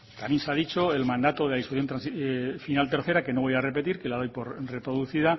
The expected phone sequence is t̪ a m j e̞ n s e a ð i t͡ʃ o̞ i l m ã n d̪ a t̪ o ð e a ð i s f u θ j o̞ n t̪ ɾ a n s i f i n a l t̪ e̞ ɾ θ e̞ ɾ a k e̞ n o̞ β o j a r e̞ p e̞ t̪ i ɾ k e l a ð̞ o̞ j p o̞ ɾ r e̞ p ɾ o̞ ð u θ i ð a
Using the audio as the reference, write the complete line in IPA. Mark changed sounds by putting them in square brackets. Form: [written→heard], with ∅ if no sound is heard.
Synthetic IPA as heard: t̪ a m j e̞ n s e a ð i t͡ʃ o̞ [i→e] l m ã n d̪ a t̪ o ð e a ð i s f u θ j o̞ n t̪ ɾ a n s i f i n a l t̪ e̞ ɾ θ e̞ ɾ a k e̞ n o̞ β o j a r e̞ p e̞ t̪ i ɾ k e l a ð̞ o̞ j p o̞ ɾ r e̞ p ɾ o̞ ð u θ i ð a